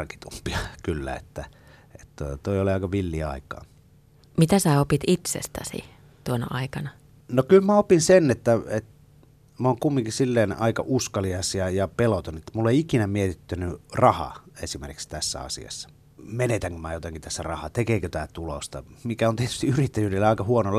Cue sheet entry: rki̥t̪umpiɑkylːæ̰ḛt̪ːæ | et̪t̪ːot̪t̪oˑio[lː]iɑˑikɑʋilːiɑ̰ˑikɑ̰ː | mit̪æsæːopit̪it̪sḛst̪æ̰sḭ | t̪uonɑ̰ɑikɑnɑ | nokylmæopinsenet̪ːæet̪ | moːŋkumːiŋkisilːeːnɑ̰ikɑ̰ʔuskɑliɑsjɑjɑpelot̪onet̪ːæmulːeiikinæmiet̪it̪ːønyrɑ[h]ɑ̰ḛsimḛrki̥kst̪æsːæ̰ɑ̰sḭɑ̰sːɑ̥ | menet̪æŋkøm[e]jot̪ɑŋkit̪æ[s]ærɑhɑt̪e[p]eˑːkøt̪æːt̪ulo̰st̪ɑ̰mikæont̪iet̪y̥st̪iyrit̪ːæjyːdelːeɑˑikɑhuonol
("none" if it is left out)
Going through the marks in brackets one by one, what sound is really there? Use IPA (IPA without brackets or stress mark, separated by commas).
l, h, æ, sː, k